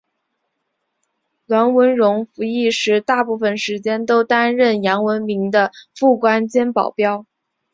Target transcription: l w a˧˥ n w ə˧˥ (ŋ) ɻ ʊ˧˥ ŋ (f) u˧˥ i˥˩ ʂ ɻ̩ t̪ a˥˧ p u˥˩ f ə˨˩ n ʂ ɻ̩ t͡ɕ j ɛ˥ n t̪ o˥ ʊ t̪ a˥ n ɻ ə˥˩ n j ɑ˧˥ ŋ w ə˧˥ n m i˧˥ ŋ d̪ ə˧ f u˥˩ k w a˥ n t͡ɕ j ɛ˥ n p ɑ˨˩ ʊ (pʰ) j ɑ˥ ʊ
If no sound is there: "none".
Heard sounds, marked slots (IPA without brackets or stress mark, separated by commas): n, f, p